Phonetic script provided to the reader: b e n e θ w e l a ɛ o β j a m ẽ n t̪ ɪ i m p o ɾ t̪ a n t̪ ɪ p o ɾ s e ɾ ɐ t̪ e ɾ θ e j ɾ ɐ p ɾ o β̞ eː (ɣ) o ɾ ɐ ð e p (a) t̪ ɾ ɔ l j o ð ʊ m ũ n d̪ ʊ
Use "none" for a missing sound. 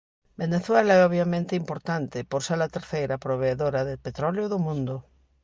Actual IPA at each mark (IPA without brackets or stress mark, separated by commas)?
ð, e